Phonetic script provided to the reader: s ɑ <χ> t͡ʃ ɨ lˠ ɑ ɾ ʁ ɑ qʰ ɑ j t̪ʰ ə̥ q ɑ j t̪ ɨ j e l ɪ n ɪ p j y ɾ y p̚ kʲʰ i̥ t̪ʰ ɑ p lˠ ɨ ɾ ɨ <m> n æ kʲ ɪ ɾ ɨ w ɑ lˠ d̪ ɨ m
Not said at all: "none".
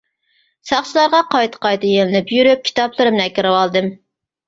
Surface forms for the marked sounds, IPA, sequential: χ, m

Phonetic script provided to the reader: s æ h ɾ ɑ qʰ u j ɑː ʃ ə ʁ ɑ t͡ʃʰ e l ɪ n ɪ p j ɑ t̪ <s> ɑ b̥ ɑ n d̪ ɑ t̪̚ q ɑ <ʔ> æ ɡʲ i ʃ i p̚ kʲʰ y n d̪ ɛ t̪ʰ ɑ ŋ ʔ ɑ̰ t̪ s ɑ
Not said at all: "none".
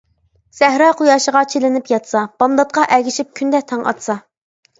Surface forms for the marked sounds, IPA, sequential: s, ʔ

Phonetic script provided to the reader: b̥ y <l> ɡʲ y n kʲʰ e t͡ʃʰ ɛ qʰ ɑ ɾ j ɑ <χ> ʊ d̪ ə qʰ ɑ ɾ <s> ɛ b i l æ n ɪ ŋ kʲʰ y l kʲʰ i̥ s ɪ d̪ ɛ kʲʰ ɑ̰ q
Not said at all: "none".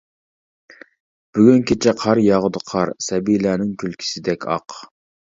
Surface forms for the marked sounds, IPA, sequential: none, ʁ, s

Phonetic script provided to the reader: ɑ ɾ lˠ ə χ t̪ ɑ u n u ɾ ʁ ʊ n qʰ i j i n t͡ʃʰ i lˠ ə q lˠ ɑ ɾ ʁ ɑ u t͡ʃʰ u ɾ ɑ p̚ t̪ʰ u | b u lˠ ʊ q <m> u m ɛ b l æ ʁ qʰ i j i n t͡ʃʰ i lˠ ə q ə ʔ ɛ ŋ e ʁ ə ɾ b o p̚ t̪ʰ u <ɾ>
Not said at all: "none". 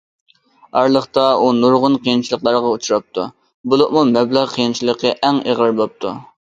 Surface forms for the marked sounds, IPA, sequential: m, none

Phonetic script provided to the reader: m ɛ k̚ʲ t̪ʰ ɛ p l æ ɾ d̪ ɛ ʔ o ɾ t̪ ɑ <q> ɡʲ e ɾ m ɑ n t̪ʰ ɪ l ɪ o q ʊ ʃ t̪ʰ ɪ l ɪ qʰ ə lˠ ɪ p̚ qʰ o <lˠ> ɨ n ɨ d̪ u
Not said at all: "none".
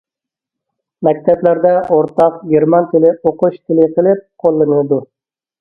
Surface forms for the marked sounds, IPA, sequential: q, lˠː

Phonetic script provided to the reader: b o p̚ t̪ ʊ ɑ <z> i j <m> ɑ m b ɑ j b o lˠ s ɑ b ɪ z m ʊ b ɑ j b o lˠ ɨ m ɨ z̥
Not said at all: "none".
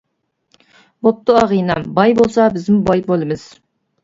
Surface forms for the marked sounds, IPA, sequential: ʁ, n

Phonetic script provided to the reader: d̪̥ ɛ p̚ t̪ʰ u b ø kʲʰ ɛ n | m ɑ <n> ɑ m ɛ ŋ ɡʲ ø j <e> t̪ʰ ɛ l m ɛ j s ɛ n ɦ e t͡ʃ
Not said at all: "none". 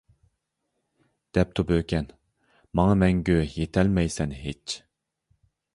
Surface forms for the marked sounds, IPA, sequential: ŋ, e

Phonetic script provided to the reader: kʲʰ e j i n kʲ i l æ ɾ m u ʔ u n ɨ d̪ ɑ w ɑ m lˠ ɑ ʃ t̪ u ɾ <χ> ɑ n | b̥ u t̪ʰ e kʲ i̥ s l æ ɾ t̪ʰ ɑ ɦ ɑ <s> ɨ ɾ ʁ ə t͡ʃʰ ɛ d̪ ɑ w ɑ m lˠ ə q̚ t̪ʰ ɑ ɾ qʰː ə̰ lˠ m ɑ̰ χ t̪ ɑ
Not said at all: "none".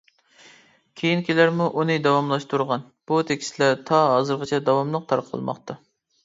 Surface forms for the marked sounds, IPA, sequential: ʁ, z

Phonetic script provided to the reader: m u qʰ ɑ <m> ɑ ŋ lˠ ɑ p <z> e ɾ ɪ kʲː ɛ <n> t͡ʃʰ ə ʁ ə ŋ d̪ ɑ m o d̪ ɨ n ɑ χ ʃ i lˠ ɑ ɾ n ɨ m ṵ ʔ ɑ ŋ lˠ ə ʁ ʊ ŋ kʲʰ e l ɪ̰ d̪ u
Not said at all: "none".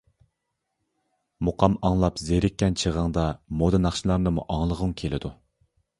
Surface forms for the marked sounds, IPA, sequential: m, z, n

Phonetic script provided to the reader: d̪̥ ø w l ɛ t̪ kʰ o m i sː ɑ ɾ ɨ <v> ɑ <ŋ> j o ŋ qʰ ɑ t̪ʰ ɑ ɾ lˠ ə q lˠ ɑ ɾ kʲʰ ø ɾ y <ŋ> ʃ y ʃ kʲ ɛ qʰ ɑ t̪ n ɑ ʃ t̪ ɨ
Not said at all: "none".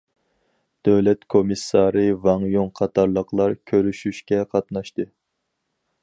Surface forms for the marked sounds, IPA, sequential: v, ŋ, none

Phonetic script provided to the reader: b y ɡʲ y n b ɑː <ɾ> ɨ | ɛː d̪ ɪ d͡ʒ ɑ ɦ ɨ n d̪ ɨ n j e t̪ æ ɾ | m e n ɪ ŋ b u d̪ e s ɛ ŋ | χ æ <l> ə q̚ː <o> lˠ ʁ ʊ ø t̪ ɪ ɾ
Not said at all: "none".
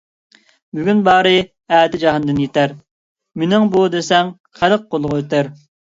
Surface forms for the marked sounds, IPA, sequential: ɾ, l, o

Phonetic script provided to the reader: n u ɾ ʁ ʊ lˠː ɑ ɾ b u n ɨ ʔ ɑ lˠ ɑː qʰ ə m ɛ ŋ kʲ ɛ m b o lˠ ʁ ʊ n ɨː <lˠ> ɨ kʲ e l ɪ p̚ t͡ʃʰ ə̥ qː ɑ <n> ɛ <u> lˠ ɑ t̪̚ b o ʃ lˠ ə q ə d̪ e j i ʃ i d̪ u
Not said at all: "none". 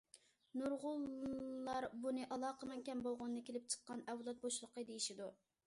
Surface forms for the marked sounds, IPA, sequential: none, n, w

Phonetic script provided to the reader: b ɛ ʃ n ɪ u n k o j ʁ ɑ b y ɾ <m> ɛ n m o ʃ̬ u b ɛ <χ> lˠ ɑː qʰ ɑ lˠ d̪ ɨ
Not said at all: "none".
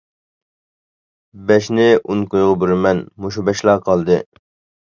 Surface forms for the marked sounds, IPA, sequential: m, ʃ

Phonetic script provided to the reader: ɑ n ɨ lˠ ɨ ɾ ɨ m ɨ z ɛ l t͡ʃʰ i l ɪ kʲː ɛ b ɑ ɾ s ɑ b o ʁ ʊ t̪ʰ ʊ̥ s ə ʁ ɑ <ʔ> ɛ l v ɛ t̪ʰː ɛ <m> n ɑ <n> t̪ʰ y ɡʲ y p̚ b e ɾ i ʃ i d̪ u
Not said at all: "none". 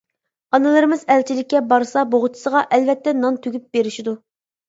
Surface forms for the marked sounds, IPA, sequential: ʔ, none, n

